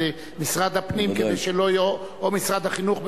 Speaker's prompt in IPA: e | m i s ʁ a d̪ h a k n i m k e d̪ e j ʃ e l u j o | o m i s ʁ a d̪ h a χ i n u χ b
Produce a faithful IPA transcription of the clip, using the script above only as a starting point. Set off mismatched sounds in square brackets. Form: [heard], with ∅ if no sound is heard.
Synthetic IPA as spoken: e | m i s ʁ a d̪ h a [p] n i m k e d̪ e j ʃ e l [o] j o | o m i s ʁ a d̪ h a χ i n u χ b